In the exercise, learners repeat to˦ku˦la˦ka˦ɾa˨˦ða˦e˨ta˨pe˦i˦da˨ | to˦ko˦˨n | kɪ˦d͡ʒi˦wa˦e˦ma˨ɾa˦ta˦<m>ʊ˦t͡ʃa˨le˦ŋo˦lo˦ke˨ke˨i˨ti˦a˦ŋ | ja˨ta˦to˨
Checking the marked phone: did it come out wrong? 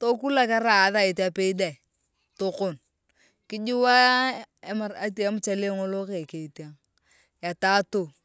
no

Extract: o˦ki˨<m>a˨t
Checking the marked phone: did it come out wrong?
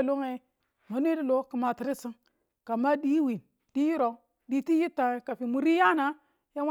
no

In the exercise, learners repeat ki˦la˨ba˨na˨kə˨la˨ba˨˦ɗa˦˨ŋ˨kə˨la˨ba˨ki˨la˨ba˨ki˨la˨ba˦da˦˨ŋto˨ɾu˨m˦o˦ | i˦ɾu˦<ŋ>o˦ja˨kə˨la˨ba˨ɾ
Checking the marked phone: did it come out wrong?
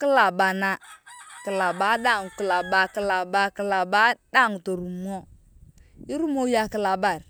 yes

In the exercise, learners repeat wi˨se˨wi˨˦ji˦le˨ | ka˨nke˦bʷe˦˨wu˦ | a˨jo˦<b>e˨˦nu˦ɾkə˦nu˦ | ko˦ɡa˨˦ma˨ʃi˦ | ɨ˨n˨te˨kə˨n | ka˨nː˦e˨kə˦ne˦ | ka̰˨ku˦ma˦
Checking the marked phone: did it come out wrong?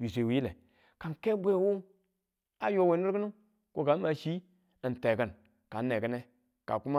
yes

